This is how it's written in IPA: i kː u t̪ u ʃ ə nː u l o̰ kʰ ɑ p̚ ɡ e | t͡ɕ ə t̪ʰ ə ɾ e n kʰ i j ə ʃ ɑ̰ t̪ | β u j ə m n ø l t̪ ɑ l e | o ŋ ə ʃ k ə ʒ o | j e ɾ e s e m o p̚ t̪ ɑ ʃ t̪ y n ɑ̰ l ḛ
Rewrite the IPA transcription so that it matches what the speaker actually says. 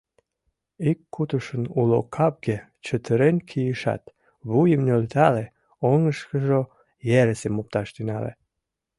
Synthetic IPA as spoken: i kː u t̪ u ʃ ə n u l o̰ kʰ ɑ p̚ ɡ e | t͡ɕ ə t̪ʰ ə ɾ e n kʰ i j ə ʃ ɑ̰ t̪ | β u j ə m n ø l t̪ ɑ l e | o ŋ ə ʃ k ə ʒ o | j e ɾ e s e m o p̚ t̪ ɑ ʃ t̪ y n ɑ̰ l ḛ